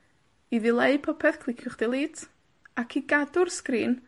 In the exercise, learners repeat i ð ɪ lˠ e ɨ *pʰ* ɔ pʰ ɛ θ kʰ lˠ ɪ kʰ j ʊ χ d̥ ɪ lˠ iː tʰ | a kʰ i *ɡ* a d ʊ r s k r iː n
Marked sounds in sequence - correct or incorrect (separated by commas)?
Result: correct, correct